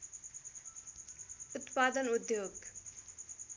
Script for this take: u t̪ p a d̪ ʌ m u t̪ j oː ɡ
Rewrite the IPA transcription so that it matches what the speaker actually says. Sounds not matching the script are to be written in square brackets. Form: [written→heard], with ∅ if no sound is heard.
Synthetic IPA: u t̪ p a d̪ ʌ [m→n] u [t̪→d̪] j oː ɡ